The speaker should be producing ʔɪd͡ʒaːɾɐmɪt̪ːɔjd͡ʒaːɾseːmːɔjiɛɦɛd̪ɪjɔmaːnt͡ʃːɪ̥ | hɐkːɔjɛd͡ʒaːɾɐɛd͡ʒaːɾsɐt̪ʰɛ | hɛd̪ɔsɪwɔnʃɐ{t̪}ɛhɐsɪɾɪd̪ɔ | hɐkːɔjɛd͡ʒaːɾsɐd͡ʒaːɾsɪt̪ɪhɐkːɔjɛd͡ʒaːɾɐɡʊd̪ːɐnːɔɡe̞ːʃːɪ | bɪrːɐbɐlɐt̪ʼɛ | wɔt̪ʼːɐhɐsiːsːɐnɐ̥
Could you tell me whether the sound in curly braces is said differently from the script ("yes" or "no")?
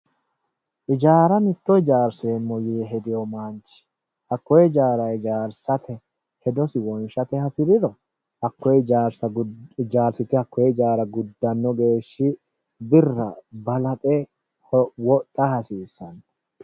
no